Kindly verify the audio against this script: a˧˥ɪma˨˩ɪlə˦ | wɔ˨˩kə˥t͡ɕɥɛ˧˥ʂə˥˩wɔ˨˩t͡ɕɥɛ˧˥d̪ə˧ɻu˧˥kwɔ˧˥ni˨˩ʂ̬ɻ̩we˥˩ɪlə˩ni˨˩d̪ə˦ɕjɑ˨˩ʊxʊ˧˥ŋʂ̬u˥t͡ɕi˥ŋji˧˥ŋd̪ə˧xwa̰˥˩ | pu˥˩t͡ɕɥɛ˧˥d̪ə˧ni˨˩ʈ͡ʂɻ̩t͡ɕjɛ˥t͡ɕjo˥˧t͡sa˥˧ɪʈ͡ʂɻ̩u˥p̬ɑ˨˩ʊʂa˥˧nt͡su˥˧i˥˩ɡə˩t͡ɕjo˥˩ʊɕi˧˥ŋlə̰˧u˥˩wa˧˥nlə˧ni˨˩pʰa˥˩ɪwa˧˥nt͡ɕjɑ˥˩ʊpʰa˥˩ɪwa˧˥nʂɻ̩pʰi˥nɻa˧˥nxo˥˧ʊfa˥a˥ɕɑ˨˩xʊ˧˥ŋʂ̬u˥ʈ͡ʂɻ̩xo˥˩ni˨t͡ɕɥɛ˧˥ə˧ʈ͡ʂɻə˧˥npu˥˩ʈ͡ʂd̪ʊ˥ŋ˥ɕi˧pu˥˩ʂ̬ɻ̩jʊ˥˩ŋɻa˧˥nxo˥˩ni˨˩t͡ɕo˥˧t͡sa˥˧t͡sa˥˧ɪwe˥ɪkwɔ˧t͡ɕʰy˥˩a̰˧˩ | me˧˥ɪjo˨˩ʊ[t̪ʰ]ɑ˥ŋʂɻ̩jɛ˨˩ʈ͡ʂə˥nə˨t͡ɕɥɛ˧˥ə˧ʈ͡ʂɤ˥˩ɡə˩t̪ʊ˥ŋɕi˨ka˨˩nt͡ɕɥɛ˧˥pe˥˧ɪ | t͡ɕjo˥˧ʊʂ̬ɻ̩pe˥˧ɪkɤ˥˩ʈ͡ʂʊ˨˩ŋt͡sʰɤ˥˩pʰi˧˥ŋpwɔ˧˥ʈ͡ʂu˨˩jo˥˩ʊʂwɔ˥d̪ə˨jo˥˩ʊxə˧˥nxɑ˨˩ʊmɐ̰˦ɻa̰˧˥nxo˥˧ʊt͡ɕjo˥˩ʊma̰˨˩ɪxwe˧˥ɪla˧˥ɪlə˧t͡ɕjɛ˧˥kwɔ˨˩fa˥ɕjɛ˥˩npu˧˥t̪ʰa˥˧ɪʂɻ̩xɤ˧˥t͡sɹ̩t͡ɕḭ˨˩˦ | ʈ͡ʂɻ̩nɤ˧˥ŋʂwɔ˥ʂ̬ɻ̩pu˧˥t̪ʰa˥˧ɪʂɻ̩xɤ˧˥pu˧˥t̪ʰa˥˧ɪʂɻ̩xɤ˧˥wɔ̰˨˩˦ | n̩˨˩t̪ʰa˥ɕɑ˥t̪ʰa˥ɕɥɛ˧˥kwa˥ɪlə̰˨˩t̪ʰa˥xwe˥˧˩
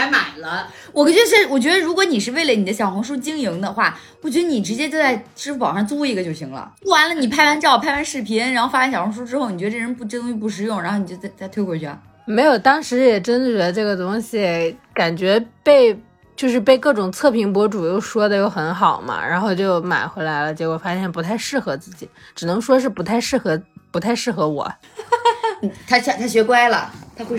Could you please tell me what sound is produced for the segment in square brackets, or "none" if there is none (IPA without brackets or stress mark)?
t̪